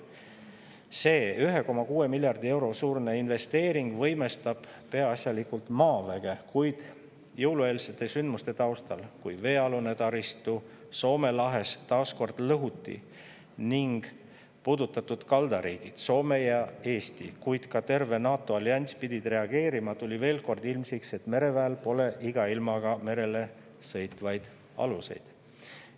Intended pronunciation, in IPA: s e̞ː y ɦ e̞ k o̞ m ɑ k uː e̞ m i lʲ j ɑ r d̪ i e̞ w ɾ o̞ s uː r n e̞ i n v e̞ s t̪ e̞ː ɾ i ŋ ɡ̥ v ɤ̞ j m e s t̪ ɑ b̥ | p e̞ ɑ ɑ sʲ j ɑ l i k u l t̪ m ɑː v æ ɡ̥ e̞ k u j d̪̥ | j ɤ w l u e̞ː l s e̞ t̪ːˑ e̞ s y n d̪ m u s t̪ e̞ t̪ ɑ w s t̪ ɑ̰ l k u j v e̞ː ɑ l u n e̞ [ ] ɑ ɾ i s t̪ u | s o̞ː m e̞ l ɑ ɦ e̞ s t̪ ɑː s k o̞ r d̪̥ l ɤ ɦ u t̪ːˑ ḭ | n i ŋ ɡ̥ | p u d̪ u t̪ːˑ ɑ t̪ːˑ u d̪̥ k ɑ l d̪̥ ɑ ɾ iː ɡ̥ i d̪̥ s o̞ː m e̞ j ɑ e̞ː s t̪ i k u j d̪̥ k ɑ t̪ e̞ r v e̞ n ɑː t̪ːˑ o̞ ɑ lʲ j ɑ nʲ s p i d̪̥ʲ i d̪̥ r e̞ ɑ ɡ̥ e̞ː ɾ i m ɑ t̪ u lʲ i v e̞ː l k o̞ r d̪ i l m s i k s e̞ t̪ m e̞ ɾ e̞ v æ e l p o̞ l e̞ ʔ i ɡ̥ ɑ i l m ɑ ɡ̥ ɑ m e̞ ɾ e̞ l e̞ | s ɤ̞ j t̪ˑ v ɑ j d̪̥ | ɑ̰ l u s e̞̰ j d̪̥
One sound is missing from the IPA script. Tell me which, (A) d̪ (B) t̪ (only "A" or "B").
B